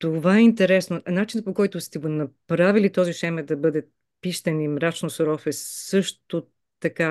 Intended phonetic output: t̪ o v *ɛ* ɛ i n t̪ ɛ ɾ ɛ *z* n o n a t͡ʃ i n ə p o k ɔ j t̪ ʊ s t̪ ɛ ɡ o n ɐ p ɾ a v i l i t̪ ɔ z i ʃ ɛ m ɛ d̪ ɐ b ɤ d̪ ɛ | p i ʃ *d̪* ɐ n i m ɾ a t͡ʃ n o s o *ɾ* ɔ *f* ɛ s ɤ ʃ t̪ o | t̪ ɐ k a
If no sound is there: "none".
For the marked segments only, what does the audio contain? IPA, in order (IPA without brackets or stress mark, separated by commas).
a, s, t̪, ɾ, f